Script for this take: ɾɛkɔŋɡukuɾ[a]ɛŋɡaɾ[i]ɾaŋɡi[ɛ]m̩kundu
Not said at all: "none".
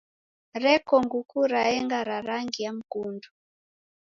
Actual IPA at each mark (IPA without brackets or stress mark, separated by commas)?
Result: a, a, a